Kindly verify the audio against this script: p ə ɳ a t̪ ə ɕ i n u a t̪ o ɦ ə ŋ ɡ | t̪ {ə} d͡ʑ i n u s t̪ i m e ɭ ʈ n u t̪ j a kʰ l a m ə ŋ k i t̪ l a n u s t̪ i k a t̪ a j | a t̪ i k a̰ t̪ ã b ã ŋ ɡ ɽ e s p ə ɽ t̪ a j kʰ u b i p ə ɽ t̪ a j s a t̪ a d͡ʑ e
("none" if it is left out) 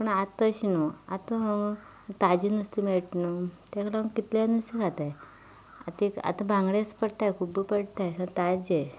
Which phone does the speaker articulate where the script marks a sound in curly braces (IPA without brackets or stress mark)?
a